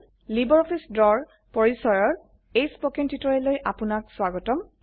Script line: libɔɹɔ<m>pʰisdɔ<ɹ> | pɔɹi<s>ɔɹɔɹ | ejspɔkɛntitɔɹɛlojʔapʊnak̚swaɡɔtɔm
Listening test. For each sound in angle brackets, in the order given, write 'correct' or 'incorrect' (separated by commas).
incorrect, correct, correct